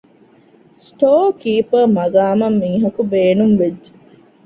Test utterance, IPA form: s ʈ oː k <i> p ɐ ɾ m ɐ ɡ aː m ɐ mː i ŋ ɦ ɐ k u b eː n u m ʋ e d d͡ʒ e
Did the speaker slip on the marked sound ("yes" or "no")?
yes